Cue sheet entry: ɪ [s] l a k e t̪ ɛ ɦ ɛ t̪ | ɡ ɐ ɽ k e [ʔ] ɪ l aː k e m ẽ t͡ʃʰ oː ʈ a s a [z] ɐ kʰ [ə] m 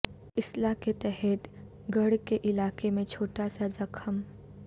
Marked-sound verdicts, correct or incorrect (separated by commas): correct, correct, correct, correct